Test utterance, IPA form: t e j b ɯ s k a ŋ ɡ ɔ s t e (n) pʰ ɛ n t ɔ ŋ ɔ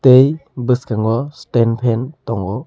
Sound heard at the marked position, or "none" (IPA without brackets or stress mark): n